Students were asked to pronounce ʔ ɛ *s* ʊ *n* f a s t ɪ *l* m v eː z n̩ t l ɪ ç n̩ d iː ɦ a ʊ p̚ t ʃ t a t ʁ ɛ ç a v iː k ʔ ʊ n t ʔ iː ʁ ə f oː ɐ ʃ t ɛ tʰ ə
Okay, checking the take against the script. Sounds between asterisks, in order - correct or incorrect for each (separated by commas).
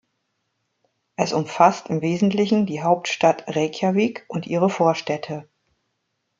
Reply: correct, incorrect, incorrect